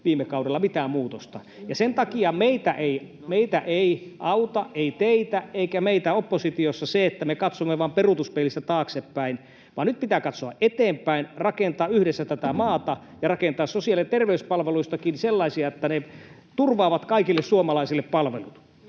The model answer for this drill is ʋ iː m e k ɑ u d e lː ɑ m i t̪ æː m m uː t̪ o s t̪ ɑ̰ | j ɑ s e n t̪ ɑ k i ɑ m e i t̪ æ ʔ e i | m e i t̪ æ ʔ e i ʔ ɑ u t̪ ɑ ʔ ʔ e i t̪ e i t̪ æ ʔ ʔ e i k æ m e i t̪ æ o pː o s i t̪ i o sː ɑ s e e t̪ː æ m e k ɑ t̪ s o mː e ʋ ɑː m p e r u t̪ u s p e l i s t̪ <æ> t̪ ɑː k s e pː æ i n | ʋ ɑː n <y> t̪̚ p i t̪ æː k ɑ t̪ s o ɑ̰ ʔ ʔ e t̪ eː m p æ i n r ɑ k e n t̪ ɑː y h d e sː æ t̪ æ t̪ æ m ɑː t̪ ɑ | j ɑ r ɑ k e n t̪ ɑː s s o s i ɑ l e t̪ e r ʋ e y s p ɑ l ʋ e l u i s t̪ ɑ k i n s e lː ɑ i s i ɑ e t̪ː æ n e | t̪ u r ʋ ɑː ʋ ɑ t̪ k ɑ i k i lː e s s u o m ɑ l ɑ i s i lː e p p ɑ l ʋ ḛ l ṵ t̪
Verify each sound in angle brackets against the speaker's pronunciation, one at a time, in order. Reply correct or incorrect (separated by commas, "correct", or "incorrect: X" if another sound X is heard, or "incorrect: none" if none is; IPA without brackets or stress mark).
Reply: correct, correct